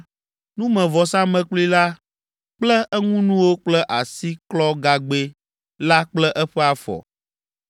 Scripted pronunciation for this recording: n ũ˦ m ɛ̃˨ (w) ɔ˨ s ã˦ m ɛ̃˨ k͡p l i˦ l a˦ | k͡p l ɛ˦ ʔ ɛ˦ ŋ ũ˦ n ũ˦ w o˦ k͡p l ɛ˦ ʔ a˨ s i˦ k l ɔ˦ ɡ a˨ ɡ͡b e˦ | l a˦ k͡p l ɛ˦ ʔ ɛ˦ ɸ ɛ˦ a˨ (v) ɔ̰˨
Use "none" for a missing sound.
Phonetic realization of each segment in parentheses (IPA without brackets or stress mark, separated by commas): v, f